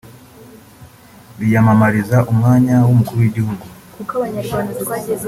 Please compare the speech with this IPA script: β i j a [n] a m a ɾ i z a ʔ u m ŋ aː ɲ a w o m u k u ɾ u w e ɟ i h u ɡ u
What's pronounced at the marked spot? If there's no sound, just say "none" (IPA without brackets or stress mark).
m